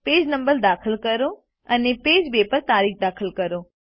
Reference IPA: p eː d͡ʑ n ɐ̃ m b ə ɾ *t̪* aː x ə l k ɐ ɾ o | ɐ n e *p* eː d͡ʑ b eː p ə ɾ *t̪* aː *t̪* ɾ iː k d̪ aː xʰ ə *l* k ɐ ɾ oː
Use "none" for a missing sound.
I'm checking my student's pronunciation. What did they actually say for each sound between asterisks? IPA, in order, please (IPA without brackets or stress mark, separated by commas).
d̪, p, t̪, none, l